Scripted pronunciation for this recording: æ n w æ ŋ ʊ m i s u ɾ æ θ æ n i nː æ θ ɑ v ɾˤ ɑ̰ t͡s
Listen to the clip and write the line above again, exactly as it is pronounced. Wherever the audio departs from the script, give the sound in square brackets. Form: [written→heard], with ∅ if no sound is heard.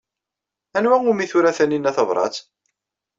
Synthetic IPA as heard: æ n w æ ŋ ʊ m i [s→θ] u ɾ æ θ æ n i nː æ θ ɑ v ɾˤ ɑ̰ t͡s